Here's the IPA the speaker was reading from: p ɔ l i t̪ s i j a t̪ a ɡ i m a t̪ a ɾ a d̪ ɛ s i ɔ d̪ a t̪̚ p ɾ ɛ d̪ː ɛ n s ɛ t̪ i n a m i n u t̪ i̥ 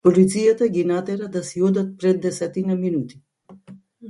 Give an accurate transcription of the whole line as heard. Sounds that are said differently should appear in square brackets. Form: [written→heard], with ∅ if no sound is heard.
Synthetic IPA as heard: p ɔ l i t̪ s i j a t̪ a ɡ i [m→n] a t̪ [a→ɛ] ɾ a d̪ [ɛ→a] s i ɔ d̪ a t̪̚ p ɾ ɛ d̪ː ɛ [n→∅] s ɛ t̪ i n a m i n u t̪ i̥